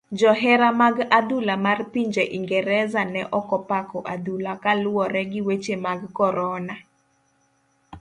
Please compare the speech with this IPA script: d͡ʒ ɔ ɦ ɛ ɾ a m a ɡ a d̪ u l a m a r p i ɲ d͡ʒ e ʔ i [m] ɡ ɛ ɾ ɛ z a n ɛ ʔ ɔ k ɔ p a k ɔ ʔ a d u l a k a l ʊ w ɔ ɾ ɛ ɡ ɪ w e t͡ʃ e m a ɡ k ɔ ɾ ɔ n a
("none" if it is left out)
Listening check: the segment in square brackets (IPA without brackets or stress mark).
ŋ